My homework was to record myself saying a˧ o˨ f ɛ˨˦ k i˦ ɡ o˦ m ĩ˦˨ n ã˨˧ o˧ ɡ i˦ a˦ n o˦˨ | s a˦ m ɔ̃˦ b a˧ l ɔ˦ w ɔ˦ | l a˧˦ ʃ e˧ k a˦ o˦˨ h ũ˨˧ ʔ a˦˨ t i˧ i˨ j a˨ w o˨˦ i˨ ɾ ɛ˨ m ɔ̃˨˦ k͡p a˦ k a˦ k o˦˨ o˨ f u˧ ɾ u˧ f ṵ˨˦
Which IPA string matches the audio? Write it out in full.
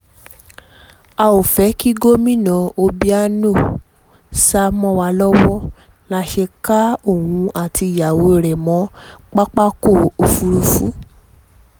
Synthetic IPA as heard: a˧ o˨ f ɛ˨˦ k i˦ ɡ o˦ m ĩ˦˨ n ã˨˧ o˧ b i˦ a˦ n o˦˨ | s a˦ m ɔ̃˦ w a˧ l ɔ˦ w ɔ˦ | l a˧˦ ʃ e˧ k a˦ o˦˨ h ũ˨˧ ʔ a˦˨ t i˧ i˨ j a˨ w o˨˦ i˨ ɾ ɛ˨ m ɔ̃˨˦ k͡p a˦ k͡p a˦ k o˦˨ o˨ f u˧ ɾ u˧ f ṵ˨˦